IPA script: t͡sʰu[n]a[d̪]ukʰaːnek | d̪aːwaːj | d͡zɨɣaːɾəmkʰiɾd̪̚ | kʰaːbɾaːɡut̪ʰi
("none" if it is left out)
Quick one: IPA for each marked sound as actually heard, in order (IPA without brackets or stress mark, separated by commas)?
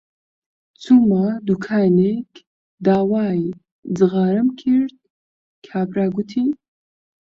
m, d̪